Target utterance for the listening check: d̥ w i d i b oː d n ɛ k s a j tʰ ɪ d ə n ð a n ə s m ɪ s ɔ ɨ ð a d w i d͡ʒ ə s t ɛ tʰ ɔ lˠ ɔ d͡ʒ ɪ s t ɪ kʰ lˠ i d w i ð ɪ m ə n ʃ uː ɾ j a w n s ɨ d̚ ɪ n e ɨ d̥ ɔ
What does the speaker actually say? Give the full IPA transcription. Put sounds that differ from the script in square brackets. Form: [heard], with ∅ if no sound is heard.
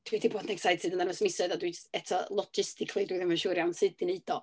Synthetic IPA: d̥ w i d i b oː d n ɛ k s a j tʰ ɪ d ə n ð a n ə s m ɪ s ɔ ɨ ð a d w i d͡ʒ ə s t ɛ tʰ ɔ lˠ ɔ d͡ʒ ɪ s t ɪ kʰ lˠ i d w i ð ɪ m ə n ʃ uː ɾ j a w n s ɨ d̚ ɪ n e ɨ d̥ ɔ